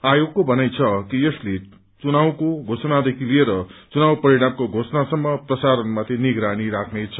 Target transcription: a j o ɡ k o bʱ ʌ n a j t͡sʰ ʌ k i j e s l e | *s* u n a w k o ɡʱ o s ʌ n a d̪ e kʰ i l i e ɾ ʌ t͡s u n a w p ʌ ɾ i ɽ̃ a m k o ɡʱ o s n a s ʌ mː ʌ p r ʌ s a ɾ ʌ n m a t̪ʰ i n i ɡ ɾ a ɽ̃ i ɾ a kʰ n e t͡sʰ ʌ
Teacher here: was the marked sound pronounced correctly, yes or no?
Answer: no